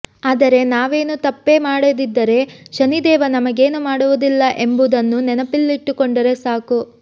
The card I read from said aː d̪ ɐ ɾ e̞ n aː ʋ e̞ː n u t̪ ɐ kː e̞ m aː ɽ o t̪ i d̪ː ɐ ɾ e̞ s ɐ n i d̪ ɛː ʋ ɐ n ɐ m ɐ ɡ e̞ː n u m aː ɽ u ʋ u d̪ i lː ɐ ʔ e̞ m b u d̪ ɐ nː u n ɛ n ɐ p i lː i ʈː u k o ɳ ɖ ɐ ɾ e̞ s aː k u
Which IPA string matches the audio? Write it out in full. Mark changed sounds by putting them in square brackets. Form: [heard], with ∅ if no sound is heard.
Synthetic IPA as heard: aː d̪ ɐ ɾ e̞ n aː ʋ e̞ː n u t̪ ɐ [pː] e̞ m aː ɽ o [d̪] i d̪ː ɐ ɾ e̞ [ʃ] ɐ n i d̪ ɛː ʋ ɐ n ɐ m ɐ ɡ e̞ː n u m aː ɽ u ʋ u d̪ i lː ɐ ʔ e̞ m b u d̪ ɐ nː u n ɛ n ɐ p i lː i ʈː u k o ɳ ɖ ɐ ɾ e̞ s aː k u